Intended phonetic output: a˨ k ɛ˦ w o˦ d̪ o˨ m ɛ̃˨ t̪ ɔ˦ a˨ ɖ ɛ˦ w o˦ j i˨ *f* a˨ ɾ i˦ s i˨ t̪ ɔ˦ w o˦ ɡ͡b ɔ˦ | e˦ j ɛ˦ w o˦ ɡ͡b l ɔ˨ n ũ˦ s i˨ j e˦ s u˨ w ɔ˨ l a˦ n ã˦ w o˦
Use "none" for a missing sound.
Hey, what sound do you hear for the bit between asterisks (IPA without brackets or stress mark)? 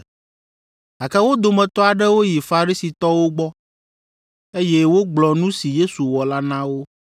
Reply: f